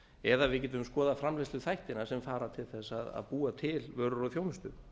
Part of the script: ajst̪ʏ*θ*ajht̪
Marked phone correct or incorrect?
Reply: correct